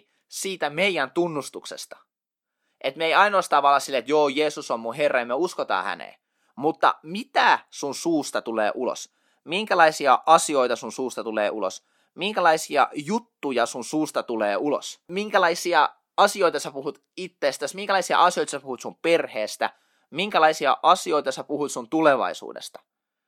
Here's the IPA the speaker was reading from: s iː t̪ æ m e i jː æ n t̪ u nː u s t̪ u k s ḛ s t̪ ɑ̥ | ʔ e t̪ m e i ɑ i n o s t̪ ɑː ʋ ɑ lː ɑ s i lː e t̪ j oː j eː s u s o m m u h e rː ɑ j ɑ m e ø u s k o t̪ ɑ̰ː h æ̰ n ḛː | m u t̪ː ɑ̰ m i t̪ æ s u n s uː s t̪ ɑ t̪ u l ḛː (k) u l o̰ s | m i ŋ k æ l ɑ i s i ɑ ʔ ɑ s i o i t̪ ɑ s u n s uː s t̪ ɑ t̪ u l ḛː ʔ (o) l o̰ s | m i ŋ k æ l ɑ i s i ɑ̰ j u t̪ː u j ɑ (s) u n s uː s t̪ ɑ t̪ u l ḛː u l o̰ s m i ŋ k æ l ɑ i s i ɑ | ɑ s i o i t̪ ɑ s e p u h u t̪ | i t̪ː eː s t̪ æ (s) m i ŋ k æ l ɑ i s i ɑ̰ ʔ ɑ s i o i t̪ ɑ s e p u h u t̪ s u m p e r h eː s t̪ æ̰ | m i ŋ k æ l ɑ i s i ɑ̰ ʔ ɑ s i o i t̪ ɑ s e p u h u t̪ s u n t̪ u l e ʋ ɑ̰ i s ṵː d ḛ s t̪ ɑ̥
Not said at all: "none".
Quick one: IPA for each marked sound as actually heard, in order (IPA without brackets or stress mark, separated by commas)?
ʔ, u, s, s